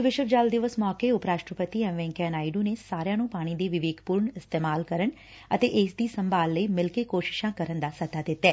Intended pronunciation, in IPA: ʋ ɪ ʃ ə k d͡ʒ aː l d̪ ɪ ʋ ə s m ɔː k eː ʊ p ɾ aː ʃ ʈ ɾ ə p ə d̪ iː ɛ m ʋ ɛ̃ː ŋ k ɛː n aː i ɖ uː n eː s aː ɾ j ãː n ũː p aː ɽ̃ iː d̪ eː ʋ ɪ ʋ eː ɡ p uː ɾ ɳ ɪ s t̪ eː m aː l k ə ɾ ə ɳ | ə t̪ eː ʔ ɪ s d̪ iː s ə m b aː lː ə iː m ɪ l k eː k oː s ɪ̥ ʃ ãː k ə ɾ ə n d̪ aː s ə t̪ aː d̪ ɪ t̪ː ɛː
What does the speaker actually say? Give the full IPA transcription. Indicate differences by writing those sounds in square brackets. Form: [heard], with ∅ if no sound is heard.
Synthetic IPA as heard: ʋ ɪ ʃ ə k d͡ʒ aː l d̪ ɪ ʋ ə s m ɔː k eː ʊ p ɾ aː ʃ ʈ ɾ ə p ə [t̪] iː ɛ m ʋ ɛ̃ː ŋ k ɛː n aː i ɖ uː n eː s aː ɾ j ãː n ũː p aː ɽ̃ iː d̪ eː ʋ ɪ ʋ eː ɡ p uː ɾ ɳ ɪ s t̪ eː m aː l k ə ɾ ə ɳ | ə t̪ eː ʔ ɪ s d̪ iː s ə m b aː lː ə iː m ɪ l k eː k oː [ʃ] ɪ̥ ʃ ãː k ə ɾ ə n d̪ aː s ə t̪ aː d̪ ɪ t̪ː ɛː